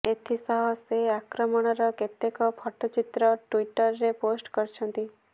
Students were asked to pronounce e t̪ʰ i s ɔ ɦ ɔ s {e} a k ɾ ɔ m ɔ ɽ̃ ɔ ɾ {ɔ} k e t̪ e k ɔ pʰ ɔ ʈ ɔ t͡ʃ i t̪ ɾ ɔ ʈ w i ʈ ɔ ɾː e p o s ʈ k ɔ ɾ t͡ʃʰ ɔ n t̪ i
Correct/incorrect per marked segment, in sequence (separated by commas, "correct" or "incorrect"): correct, correct